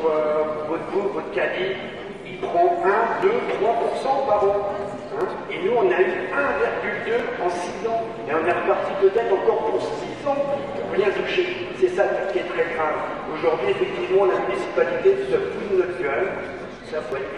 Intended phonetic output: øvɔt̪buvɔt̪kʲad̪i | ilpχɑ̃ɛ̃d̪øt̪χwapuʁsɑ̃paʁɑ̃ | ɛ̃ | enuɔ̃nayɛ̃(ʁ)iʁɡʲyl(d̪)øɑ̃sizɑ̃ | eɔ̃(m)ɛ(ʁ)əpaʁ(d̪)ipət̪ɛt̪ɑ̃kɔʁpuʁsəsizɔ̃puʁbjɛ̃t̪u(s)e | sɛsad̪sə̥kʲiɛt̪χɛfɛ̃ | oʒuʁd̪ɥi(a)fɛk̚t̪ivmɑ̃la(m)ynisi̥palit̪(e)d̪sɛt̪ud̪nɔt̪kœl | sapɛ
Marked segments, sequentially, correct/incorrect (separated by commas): incorrect, correct, incorrect, correct, incorrect, incorrect, incorrect, correct, correct